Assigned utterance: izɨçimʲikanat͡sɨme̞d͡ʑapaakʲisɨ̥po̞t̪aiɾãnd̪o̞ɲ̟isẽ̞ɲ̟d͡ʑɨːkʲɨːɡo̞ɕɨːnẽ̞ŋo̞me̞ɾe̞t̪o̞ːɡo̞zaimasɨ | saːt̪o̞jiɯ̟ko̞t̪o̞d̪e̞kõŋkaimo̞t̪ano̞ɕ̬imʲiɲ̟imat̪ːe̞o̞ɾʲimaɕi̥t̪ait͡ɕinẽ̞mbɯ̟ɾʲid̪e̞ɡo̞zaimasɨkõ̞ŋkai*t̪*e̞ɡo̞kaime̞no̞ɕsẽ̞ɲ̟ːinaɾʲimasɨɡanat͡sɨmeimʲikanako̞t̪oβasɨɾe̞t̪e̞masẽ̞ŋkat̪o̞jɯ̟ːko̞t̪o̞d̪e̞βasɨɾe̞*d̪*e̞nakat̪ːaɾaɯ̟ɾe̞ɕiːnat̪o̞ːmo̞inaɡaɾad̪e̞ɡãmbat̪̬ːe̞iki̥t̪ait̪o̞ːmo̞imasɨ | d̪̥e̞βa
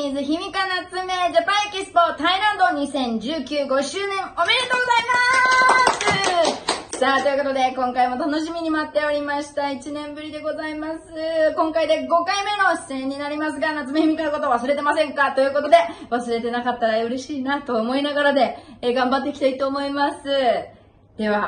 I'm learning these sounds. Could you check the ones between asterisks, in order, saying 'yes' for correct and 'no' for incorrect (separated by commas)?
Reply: no, no